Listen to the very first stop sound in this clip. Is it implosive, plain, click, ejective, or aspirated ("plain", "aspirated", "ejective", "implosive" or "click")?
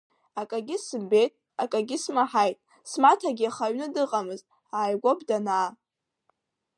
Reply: ejective